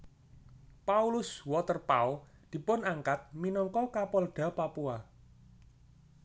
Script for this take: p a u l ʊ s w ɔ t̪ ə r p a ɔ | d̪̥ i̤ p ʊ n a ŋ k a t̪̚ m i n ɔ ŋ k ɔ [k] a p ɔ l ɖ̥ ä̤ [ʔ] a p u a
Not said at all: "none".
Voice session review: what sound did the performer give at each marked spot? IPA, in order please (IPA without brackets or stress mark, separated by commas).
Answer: k, p